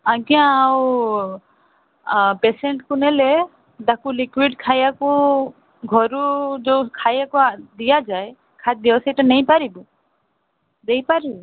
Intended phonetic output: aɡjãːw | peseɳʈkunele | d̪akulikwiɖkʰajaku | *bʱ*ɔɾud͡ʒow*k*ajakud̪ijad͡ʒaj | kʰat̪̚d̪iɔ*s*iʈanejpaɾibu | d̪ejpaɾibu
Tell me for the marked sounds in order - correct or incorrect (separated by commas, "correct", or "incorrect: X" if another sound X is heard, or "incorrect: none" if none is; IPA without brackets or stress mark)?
incorrect: ɡʱ, incorrect: kʰ, correct